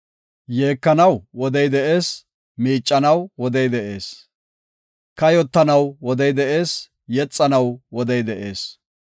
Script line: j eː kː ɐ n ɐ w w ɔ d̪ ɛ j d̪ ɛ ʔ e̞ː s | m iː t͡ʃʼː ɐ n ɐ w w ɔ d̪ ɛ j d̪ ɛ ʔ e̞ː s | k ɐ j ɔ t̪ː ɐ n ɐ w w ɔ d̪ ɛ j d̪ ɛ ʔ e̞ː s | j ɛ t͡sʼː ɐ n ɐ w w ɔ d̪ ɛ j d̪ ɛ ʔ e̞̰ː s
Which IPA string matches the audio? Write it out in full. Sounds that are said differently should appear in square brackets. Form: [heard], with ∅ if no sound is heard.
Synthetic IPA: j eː kː ɐ n ɐ w w ɔ d̪ ɛ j d̪ ɛ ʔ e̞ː s | m iː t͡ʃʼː ɐ n ɐ w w ɔ d̪ ɛ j d̪ ɛ ʔ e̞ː s | k ɐ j ɔ t̪ː ɐ n ɐ w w ɔ d̪ ɛ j d̪ ɛ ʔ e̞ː s | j ɛ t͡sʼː ɐ n ɐ w w ɔ d̪ ɛ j d̪ ɛ ʔ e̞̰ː s

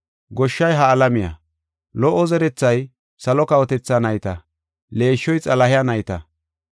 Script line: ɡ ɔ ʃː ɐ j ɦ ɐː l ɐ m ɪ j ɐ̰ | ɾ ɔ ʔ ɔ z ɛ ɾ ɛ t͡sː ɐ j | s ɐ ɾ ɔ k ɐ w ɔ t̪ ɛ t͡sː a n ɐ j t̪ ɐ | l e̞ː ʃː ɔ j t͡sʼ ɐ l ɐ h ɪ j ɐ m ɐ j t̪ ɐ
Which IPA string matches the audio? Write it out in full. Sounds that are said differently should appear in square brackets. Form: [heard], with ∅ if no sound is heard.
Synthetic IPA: ɡ ɔ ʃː ɐ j ɦ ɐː l ɐ m ɪ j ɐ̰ | [l] ɔ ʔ ɔ z ɛ ɾ ɛ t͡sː ɐ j | s ɐ [l] ɔ k ɐ w ɔ t̪ ɛ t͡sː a n ɐ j t̪ ɐ | l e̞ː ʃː ɔ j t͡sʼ ɐ l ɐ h ɪ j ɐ [n] ɐ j t̪ ɐ

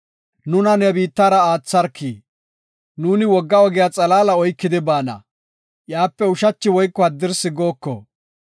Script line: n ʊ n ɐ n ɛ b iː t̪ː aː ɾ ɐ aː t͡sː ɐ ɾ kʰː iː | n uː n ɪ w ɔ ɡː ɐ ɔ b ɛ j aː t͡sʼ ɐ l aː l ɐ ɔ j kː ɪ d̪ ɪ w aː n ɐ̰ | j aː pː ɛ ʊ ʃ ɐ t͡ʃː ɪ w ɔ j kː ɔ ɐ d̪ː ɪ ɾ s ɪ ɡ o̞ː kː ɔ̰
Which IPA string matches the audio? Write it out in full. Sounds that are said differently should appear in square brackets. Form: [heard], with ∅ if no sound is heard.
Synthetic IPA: n ʊ n ɐ n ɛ b iː t̪ː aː ɾ ɐ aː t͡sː ɐ ɾ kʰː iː | n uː n ɪ w ɔ ɡː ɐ ɔ [ɡ] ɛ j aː t͡sʼ ɐ l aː l ɐ ɔ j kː ɪ d̪ ɪ [b] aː n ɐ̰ | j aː pː ɛ ʊ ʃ ɐ t͡ʃː ɪ w ɔ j kː ɔ ɐ d̪ː ɪ ɾ s ɪ ɡ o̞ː kː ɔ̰

